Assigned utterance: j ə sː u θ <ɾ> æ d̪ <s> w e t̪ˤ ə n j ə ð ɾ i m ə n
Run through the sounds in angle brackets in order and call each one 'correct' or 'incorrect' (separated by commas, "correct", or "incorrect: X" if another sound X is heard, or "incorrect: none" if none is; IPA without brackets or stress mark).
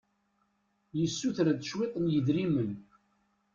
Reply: correct, incorrect: ʃ